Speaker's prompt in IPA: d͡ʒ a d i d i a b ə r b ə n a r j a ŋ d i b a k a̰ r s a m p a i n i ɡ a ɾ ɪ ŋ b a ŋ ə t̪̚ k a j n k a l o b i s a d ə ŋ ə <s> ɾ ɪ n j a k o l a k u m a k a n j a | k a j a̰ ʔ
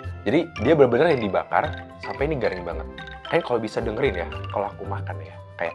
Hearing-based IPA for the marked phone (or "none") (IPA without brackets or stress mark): none